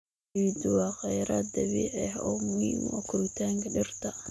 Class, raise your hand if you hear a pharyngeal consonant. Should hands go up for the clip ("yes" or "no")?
yes